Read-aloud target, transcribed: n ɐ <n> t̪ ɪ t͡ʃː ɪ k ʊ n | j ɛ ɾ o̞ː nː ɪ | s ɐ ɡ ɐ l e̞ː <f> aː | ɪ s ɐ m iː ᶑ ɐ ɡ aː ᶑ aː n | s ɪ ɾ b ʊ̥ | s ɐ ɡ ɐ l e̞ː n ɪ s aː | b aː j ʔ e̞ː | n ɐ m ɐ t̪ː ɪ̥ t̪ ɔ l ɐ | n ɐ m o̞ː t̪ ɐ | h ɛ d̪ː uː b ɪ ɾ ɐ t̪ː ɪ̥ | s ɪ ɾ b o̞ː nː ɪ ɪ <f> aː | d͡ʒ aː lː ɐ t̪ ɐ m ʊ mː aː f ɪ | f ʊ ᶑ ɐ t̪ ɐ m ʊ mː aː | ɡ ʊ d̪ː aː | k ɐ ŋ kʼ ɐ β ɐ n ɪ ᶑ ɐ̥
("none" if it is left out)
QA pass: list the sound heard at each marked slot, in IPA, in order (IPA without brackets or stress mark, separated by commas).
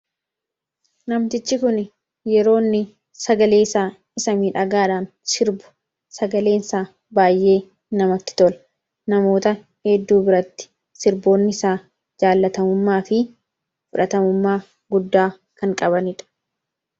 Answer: m, s, s